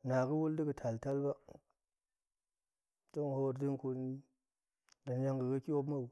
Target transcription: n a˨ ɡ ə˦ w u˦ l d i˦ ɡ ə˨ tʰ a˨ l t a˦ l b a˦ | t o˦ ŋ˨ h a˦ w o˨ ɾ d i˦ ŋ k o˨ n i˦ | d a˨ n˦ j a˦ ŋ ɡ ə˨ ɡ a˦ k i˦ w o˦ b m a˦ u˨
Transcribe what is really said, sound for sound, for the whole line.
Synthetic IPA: n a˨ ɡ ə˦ w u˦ l d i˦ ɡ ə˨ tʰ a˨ l t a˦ l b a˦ | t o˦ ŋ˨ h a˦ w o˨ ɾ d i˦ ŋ k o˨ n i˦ | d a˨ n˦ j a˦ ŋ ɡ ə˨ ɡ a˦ k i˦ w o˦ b m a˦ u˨